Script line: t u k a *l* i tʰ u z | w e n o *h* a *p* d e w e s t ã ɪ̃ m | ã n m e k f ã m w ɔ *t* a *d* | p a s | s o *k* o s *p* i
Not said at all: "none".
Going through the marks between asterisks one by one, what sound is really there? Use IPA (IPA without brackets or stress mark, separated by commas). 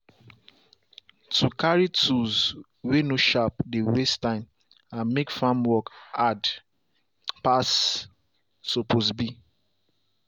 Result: ɹ, ʃ, p, k, d, p, b